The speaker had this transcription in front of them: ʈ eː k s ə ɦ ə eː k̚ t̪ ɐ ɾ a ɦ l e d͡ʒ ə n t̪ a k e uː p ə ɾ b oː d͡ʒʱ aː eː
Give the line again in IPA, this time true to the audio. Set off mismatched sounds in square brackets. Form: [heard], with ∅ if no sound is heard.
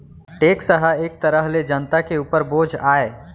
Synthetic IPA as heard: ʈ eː k s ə ɦ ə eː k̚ t̪ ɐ ɾ [ə] ɦ l e d͡ʒ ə n t̪ a k e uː p ə ɾ b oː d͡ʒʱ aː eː